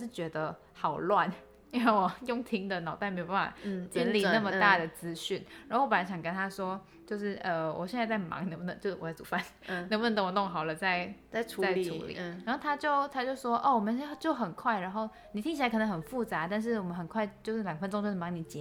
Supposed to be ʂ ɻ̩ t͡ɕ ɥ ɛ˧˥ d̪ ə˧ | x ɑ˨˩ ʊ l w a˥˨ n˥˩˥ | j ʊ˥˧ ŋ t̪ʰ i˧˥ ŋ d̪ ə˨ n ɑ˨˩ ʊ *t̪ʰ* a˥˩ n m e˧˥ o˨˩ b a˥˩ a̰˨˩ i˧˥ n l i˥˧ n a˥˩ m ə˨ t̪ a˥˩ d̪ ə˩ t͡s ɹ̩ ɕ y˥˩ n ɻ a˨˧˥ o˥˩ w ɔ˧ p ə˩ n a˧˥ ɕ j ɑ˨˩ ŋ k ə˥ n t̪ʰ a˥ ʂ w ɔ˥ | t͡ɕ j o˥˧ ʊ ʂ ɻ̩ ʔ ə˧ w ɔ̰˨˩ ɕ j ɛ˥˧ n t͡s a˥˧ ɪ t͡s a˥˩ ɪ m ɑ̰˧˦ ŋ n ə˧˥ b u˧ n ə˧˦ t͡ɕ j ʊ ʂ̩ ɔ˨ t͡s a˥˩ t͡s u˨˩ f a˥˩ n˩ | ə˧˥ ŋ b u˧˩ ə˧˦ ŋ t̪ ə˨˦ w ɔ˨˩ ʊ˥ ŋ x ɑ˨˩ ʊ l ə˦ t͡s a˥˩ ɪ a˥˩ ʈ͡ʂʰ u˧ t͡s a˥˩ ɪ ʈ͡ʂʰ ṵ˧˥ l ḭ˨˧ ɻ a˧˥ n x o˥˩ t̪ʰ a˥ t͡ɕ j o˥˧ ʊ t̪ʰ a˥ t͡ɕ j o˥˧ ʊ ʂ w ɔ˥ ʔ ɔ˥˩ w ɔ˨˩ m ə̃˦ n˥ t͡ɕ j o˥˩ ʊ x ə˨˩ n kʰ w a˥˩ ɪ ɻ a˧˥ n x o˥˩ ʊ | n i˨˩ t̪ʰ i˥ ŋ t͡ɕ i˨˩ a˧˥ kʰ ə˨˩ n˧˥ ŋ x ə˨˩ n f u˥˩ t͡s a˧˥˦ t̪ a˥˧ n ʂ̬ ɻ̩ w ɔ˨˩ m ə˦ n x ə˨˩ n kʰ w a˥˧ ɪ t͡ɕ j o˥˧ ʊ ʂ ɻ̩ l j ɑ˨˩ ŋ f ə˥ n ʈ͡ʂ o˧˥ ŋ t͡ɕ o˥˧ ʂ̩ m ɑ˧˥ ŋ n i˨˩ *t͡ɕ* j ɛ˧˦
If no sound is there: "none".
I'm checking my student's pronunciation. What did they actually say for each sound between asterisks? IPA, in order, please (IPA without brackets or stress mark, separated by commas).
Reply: t̪, t͡ɕ